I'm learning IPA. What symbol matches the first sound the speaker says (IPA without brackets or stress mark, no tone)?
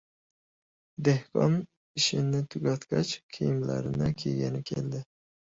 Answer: d̪